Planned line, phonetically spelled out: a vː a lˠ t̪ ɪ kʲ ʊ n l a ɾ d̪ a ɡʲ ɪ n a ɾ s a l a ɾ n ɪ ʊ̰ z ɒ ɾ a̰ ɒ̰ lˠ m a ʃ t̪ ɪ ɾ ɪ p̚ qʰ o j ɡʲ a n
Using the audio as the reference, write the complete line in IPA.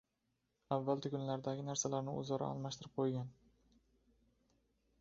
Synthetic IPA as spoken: a vː a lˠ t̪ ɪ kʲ ʊ n l a ɾ d̪ a ɡʲ ɪ n a ɾ s a l a ɾ n ɪ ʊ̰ z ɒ ɾ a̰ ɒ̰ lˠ m a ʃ t̪ ɪ ɾ ɪ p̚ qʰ o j ɡʲ a n